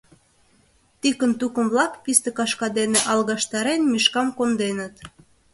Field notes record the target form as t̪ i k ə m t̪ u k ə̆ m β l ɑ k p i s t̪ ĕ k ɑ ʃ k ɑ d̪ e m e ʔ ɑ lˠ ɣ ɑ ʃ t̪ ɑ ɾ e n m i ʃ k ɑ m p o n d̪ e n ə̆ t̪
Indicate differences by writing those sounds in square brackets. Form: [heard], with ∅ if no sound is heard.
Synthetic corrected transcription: t̪ i k ə [n] t̪ u k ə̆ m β l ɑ k p i s t̪ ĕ k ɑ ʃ k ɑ d̪ e [n] e ʔ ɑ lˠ ɣ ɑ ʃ t̪ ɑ ɾ e n m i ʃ k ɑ m [k] o n d̪ e n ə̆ t̪